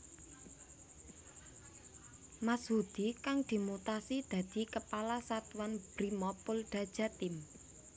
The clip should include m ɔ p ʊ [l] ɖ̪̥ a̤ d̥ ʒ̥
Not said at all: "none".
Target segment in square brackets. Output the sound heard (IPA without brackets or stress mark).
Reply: l